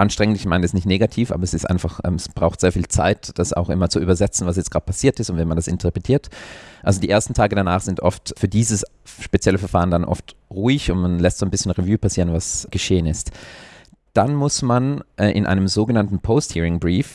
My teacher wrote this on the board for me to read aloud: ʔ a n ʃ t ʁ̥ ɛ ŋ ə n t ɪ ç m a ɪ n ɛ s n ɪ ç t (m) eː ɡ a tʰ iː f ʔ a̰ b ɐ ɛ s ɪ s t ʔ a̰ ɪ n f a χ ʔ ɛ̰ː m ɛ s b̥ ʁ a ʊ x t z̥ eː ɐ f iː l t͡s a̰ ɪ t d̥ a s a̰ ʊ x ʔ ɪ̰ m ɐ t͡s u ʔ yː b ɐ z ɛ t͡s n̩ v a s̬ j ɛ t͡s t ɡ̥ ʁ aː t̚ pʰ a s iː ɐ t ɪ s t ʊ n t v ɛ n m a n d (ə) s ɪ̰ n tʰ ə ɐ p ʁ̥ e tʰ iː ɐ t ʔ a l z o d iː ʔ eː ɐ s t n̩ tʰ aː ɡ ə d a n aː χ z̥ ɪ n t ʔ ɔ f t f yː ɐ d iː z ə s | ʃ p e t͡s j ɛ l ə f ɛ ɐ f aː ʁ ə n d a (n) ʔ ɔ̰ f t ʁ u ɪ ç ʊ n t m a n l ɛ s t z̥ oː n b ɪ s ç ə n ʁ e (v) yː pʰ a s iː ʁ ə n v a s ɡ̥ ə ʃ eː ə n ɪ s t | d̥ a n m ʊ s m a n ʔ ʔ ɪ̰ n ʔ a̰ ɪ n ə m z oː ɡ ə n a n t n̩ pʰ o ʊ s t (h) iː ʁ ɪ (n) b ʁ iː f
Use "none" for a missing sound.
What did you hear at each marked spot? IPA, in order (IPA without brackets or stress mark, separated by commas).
n, a, n, v, h, ŋ